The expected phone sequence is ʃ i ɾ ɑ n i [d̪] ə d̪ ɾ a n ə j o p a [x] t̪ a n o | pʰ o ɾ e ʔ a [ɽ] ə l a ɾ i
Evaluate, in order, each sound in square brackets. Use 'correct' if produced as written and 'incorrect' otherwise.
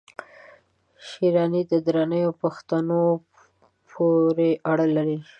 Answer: correct, correct, correct

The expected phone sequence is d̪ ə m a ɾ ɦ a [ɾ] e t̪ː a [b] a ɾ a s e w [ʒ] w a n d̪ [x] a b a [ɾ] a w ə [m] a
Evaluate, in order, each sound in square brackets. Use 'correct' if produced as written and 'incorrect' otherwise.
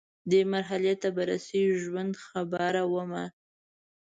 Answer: incorrect, correct, correct, correct, correct, correct

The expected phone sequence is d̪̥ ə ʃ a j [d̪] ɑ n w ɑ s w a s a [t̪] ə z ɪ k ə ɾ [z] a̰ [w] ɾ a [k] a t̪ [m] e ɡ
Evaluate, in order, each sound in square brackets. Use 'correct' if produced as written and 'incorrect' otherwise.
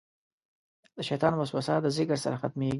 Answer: incorrect, incorrect, incorrect, incorrect, incorrect, correct

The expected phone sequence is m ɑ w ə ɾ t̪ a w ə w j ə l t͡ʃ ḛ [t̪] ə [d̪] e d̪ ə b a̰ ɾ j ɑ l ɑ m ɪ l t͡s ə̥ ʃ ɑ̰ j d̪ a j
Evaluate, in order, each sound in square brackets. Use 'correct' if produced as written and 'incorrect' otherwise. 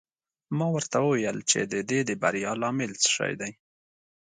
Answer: incorrect, correct

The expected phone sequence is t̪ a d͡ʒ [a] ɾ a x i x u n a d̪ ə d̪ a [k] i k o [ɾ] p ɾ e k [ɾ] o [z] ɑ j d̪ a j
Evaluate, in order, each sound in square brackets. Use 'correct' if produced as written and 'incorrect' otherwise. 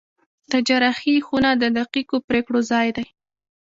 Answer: correct, incorrect, incorrect, incorrect, correct

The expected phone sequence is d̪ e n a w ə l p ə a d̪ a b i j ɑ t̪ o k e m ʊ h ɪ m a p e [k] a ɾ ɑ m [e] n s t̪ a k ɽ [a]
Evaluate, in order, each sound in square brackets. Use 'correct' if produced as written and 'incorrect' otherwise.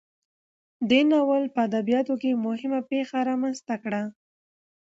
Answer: incorrect, incorrect, correct

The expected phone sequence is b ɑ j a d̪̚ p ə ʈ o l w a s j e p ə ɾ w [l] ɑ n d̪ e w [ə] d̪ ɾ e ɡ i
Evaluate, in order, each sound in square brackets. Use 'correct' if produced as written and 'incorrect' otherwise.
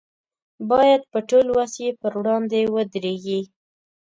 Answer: incorrect, correct

